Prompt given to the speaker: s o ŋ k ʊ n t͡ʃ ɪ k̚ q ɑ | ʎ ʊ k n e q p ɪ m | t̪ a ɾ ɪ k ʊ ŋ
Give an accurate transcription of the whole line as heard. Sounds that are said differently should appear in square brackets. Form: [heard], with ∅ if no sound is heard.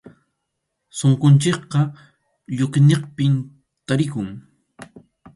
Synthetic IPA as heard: s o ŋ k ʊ n t͡ʃ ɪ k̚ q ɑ | ʎ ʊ k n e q p ɪ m | t̪ a ɾ ɪ k ʊ ŋ